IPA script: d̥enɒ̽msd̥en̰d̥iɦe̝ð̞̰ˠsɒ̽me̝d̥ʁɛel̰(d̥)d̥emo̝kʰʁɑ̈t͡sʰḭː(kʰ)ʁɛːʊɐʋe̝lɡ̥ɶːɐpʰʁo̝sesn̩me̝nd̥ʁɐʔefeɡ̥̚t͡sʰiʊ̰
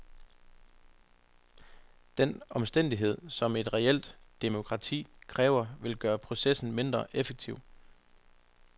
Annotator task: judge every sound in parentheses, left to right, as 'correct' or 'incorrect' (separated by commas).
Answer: correct, correct